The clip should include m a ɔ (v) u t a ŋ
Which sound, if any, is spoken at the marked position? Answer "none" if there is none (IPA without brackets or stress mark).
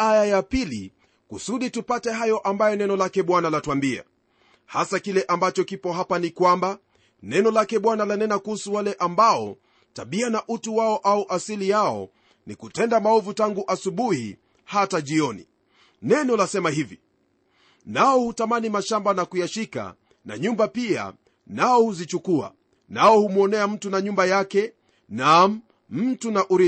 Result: v